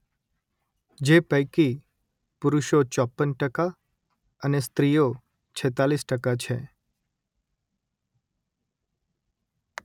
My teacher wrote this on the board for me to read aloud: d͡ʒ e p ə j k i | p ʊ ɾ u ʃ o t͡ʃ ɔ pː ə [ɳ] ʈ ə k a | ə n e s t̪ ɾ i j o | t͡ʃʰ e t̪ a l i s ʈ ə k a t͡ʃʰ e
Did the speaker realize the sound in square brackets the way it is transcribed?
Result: no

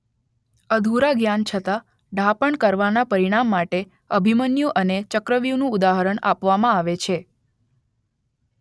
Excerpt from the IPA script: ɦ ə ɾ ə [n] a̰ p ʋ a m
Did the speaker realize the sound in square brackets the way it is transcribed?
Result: no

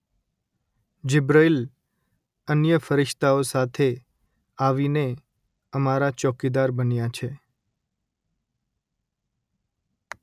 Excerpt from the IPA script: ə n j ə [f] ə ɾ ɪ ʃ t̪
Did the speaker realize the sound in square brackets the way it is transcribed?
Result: yes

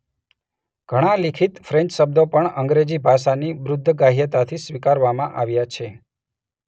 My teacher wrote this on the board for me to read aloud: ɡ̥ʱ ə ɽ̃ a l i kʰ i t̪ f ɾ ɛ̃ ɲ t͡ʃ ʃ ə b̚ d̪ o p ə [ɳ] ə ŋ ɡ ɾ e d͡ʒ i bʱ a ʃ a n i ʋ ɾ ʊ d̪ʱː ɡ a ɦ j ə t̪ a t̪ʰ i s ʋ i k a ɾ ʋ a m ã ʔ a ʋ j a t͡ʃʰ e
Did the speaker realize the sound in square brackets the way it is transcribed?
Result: yes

